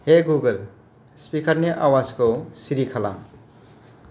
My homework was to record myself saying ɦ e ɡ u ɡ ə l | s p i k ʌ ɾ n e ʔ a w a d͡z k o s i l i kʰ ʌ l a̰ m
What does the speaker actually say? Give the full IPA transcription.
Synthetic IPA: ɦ e ɡ u ɡ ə l | s p i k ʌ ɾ n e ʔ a w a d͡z k o s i ɾ i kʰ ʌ l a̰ m

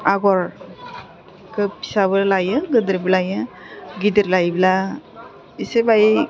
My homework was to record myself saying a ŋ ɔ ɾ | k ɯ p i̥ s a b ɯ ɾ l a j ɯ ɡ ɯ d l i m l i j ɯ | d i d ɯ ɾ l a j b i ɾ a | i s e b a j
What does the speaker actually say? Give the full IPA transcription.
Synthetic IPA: a ɡ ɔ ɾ | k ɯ p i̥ s a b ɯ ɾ l a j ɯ ɡ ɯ d ɾ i b l a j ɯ | ɡ i d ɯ ɾ l a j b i l a | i s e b a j

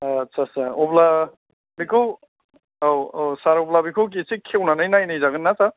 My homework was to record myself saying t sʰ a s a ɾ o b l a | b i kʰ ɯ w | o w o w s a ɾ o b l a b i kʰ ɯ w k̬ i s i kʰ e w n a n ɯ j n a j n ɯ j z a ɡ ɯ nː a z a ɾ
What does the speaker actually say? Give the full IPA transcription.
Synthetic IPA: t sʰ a s a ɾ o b l a | b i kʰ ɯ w | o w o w s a ɾ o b l a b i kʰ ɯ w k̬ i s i kʰ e w n a n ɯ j n a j n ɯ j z a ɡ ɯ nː a s a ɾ

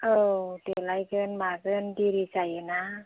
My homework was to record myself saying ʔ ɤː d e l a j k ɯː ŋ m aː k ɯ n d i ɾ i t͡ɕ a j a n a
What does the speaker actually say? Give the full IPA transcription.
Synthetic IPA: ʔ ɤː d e l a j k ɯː n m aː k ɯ n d i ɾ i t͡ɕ a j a n a

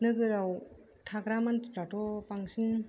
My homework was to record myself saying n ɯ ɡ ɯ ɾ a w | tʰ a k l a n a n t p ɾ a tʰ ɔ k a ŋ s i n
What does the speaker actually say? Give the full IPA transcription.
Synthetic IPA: n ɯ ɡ ɯ ɾ a w | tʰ a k ɾ a m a n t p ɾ a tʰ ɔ p a ŋ s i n

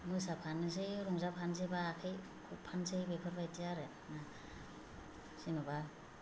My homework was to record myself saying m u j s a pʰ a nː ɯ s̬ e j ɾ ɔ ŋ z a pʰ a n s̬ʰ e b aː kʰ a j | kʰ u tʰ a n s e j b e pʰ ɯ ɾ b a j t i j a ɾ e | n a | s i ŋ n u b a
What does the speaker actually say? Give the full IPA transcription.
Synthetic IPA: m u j s a pʰ a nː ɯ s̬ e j ɾ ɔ ŋ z a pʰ a n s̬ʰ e b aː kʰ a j | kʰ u pʰ a n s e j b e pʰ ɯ ɾ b a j t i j a ɾ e | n a | s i n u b a

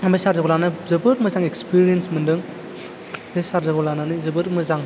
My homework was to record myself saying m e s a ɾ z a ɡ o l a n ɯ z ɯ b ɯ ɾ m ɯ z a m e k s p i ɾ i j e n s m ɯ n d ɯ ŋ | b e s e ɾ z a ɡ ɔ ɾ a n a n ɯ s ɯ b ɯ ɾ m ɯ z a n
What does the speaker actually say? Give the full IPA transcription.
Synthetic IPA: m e s a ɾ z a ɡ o l a n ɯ z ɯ b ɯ ɾ m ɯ z a ŋ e k s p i ɾ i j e n s m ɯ n d ɯ ŋ | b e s a ɾ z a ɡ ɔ l a n a n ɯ z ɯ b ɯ ɾ m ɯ z a ŋ

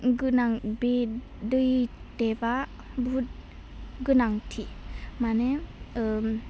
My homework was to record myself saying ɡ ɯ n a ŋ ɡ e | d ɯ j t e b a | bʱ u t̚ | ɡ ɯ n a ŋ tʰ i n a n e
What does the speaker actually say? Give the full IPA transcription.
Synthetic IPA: ɡ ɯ n a ŋ b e | d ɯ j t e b a | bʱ u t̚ | ɡ ɯ n a ŋ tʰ i m a n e

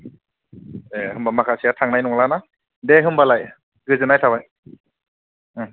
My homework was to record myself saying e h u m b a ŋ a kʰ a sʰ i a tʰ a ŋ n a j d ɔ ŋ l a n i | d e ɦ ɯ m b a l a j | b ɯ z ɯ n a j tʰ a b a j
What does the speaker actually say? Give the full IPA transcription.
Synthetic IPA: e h ɯ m b a m a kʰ a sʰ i a tʰ a ŋ n a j n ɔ ŋ l a n a | d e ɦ ɯ m b a l a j | ɡ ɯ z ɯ n a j tʰ a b a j

